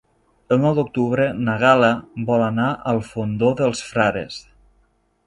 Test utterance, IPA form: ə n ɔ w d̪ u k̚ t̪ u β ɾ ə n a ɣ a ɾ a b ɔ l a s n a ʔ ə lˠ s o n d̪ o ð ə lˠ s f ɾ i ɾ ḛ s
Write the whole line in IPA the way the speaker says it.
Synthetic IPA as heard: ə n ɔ w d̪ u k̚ t̪ u β ɾ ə n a ɣ a l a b ɔ l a n a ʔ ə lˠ f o n d̪ o ð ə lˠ s f ɾ a ɾ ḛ s